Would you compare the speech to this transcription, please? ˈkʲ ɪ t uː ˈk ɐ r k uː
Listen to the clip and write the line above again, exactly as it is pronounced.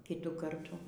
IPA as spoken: ˈkʲ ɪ t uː ˈk ɐ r t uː